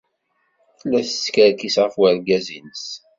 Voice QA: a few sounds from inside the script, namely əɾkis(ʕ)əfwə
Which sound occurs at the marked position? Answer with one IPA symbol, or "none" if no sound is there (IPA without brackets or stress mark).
ʁ